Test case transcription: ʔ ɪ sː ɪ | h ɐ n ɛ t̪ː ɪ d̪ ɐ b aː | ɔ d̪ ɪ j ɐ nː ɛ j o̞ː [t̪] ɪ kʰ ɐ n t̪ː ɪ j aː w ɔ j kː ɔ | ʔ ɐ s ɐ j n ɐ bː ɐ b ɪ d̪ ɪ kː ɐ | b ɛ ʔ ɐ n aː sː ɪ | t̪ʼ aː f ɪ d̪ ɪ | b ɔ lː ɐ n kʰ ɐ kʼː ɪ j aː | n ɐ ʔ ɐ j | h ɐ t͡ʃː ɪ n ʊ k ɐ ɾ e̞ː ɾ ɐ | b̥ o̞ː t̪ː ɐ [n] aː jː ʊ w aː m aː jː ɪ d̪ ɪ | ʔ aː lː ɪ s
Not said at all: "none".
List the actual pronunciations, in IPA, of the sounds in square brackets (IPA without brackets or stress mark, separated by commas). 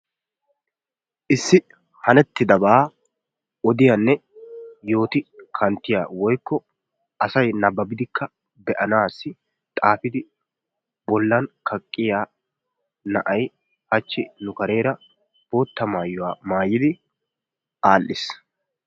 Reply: t̪, m